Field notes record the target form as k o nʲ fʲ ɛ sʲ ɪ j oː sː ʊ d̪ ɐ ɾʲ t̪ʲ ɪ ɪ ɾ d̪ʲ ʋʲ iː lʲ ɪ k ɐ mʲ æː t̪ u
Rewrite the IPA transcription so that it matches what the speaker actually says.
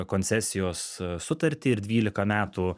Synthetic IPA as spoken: k o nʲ sʲ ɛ sʲ ɪ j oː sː ʊ t̪ ɐ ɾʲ t̪ʲ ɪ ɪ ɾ d̪ʲ ʋʲ iː lʲ ɪ k ɐ mʲ æː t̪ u